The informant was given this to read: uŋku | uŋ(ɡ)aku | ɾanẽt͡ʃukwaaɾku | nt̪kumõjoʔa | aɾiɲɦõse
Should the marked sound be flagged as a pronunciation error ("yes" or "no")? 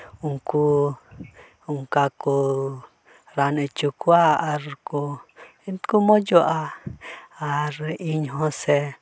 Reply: yes